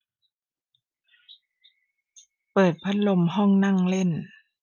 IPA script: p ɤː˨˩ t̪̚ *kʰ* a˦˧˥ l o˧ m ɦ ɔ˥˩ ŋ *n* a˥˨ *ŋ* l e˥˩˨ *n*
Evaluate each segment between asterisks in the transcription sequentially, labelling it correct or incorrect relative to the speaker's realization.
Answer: incorrect: pʰ, correct, correct, correct

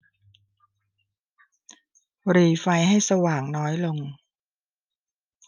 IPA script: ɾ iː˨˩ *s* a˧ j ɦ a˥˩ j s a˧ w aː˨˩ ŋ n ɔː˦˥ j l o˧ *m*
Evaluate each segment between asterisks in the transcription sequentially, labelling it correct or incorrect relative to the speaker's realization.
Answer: incorrect: f, incorrect: ŋ

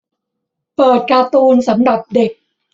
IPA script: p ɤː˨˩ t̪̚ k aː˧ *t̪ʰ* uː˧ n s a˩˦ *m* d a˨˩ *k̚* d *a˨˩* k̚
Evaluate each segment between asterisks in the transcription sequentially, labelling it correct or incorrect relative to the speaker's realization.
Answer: incorrect: t̪, correct, incorrect: p̚, incorrect: e˨˩

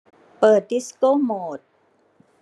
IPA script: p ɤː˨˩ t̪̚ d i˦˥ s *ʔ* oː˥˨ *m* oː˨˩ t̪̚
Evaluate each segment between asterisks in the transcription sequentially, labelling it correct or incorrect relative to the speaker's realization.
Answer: incorrect: k, correct

